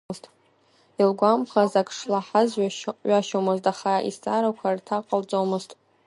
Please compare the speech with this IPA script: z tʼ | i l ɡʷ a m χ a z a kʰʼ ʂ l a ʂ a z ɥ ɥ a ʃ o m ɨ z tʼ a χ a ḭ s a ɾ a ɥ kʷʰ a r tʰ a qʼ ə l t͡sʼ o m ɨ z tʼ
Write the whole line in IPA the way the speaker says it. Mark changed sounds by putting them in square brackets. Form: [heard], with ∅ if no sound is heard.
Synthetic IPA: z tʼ | i l ɡʷ a m χ a z a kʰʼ ʂ l a [ħ] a z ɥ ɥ a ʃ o m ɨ z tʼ a χ a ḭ s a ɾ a [∅] kʷʰ a r tʰ a qʼ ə l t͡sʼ o m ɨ z tʼ